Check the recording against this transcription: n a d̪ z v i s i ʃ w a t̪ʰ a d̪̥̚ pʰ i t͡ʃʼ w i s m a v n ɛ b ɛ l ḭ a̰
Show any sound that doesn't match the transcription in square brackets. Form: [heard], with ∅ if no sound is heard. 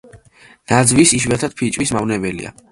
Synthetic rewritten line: n a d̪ z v i s i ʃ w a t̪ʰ a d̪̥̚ pʰ i t͡ʃʼ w i s m a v n ɛ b ɛ l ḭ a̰